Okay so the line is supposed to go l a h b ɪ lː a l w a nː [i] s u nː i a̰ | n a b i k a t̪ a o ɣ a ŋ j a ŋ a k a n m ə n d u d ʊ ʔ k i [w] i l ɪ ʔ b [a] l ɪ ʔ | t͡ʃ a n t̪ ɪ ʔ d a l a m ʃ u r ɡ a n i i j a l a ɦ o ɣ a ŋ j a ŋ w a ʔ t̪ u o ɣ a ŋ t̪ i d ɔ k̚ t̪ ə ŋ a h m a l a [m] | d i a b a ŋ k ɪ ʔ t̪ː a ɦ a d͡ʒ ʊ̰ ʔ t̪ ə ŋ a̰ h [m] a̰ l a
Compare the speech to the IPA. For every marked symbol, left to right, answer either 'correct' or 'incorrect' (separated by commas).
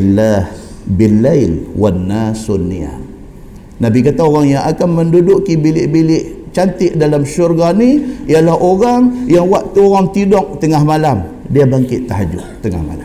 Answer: incorrect, incorrect, incorrect, correct, correct